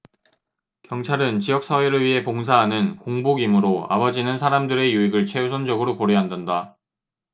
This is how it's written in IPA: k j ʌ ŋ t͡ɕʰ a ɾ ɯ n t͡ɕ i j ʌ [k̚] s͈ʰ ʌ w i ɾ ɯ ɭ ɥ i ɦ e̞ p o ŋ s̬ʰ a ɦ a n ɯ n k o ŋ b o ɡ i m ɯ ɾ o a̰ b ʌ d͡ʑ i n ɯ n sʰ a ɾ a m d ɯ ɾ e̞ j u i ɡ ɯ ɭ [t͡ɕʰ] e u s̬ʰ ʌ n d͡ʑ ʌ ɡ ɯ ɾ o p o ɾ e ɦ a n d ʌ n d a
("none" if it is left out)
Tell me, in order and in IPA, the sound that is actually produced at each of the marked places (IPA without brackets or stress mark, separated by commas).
k̚, t͡ɕʰ